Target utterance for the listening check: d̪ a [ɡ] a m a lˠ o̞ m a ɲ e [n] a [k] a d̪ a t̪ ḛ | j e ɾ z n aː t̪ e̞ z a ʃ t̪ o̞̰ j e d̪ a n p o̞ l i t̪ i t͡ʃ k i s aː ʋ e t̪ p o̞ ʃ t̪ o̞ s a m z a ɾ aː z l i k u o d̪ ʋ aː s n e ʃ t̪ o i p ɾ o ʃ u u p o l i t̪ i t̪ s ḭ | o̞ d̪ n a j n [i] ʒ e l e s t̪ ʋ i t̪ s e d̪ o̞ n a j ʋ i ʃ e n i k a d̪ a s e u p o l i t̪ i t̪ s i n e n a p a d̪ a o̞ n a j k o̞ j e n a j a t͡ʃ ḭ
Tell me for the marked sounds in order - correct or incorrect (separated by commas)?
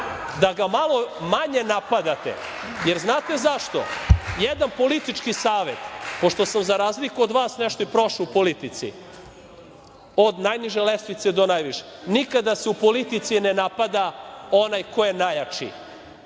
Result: correct, correct, incorrect, correct